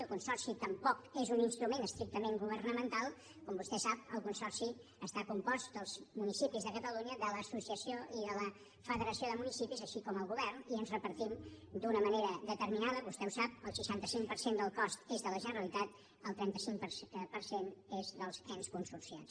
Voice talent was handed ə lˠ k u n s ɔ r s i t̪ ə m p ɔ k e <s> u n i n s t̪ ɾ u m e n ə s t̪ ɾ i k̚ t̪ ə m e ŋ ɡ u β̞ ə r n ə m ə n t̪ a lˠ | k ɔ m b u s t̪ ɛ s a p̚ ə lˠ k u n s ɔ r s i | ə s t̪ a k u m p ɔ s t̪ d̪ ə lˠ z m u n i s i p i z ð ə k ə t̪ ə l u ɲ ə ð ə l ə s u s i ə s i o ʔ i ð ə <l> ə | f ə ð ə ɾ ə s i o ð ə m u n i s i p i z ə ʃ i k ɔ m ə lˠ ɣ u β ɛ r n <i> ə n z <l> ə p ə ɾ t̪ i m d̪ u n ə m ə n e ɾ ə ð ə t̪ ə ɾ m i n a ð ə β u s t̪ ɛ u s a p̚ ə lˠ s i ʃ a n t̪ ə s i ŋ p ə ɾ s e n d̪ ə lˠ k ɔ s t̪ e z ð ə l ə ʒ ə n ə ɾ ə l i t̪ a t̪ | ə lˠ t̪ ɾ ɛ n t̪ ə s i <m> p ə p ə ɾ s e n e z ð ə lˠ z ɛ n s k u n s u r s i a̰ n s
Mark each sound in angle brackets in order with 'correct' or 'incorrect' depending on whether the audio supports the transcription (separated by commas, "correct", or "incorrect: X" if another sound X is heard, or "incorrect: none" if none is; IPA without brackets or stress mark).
incorrect: z, correct, correct, incorrect: r, incorrect: ŋ